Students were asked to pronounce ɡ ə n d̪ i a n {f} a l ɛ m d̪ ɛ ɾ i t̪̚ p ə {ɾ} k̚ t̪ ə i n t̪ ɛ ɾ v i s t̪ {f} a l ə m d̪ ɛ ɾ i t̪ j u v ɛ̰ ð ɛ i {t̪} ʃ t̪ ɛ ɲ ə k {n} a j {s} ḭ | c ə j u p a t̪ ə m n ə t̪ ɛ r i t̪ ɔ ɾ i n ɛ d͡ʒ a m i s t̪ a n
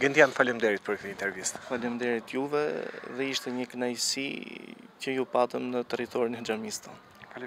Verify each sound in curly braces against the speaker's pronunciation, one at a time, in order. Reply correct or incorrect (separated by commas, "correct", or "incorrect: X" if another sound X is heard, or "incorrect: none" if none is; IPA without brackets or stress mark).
correct, correct, correct, incorrect: none, correct, correct